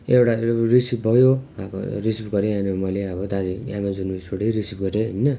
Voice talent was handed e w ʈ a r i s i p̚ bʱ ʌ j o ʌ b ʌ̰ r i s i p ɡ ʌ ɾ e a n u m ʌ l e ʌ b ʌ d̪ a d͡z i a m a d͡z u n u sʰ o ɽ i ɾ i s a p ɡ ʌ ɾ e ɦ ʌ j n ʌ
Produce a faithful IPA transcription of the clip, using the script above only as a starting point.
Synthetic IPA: e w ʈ a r i s i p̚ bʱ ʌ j o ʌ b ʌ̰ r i s i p ɡ ʌ ɾ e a n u m ʌ l e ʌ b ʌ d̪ a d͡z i a m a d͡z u n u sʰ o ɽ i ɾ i s i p ɡ ʌ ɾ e ɦ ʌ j n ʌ